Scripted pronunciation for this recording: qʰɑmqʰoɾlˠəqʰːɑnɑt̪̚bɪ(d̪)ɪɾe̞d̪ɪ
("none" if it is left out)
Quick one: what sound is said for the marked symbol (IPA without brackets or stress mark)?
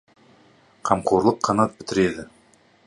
t̪